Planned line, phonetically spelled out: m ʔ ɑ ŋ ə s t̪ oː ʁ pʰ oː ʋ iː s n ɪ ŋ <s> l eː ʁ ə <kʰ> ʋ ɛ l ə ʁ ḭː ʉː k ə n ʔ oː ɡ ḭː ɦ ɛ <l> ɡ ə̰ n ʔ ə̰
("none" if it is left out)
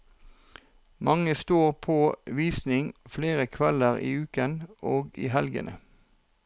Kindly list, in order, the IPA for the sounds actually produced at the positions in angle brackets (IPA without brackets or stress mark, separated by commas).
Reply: f, kʰ, l